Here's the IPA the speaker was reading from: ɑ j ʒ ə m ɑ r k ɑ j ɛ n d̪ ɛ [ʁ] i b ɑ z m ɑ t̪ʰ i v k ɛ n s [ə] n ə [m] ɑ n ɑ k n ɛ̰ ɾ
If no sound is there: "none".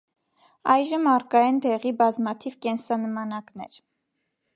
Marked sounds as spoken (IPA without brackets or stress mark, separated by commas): ʁ, ɑ, m